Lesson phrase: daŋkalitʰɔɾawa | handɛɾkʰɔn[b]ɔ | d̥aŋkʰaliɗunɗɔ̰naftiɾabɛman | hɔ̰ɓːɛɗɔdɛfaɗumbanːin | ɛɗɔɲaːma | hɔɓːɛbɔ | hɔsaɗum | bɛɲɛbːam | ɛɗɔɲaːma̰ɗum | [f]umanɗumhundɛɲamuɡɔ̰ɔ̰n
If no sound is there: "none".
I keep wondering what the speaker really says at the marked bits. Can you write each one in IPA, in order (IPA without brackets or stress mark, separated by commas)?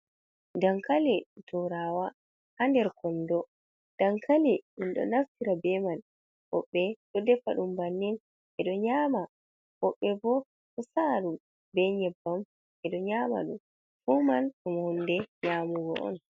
d, f